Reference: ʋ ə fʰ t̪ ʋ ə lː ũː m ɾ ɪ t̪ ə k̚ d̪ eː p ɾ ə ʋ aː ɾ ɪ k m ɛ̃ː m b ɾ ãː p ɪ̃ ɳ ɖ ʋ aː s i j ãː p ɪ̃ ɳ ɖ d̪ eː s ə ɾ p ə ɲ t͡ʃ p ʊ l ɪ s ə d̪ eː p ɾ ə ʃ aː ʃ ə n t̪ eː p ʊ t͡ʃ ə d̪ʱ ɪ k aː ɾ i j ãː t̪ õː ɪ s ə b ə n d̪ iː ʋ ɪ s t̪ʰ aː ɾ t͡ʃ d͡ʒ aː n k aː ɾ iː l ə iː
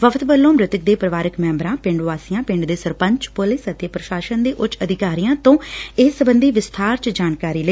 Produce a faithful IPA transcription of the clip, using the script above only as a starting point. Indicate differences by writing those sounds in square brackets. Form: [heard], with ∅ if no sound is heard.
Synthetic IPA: ʋ ə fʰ t̪ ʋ ə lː [õː] m ɾ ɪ t̪ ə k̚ d̪ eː p ɾ ə ʋ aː ɾ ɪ k m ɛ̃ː m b ɾ ãː p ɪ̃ ɳ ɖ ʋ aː s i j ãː p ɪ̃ ɳ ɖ d̪ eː s ə ɾ p ə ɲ t͡ʃ p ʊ l ɪ s ə [t̪] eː p ɾ ə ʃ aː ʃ ə n [d̪] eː [ʔ] ʊ t͡ʃ ə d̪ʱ ɪ k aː ɾ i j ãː t̪ õː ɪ s ə b ə n d̪ iː ʋ ɪ s t̪ʰ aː ɾ t͡ʃ d͡ʒ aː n k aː ɾ iː l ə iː